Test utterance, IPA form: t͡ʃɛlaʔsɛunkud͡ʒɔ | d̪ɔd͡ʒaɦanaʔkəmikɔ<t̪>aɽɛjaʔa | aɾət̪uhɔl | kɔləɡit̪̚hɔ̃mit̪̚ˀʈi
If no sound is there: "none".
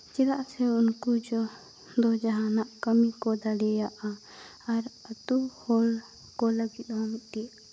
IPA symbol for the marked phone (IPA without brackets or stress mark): d̪